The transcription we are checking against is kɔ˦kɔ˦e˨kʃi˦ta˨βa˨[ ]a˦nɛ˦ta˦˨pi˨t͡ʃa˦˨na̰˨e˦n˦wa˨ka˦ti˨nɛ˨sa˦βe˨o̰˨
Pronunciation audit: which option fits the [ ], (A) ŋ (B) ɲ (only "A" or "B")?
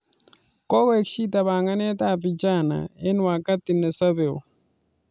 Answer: A